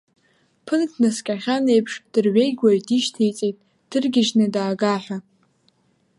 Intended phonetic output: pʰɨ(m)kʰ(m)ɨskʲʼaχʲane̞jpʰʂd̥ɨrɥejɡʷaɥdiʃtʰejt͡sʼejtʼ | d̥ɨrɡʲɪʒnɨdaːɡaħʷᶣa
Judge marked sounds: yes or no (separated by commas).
no, no